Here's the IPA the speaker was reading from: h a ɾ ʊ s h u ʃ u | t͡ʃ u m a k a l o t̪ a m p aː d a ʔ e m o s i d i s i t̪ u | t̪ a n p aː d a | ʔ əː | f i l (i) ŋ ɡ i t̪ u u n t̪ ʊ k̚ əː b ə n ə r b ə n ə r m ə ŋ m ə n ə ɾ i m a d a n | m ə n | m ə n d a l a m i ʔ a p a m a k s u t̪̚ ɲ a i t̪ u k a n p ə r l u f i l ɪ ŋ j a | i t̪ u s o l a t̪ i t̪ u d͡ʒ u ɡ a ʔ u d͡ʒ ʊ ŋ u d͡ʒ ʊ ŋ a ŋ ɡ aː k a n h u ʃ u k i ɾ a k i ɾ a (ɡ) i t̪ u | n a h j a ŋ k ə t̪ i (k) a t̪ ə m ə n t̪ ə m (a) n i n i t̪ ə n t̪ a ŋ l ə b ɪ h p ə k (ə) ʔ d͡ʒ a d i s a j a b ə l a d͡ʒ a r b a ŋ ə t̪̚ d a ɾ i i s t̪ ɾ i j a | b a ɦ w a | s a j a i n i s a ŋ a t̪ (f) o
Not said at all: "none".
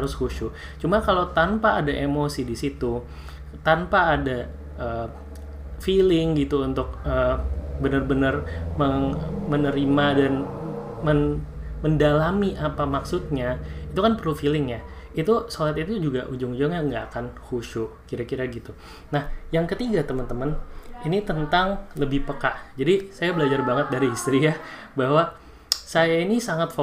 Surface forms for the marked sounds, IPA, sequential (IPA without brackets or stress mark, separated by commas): ɪ, ɡ, ɡ, ə, a, f